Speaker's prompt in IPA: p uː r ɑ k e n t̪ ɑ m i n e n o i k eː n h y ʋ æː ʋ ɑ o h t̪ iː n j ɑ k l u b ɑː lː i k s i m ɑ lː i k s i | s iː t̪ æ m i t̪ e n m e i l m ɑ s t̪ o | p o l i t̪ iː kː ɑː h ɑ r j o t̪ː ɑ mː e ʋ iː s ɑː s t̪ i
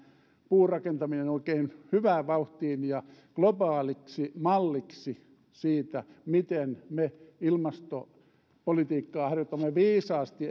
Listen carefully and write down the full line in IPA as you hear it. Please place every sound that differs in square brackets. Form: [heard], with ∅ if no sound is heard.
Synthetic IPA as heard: p uː r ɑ k e n t̪ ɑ m i n e n o i k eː n h y ʋ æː ʋ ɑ [u] h t̪ iː n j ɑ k l [o] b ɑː [l] i k s i m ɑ lː i k s i | s iː t̪ æ m i t̪ e n m e i l m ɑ s t̪ o | p o l i t̪ iː kː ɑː h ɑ r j o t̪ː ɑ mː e ʋ iː s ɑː s t̪ i